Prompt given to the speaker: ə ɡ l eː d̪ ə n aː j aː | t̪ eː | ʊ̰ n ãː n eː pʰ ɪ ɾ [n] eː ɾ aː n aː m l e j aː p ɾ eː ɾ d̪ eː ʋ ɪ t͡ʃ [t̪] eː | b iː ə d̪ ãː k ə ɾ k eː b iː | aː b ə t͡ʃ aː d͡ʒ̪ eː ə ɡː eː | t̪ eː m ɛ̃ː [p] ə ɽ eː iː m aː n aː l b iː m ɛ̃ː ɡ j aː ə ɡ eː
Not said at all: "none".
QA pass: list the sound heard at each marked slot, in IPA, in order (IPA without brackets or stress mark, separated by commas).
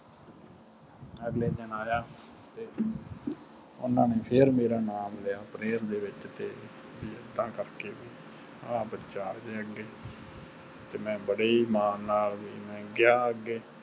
m, t̪, b